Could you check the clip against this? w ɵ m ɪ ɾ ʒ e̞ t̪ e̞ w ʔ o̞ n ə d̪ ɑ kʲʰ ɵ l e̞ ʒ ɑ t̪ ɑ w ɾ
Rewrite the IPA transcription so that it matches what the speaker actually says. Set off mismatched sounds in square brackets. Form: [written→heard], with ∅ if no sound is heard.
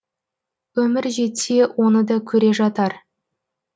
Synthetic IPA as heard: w ɵ m ɪ ɾ ʒ e̞ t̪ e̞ w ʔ o̞ n ə d̪ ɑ kʲʰ ɵ [l→ɾ] e̞ ʒ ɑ t̪ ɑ [w→∅] ɾ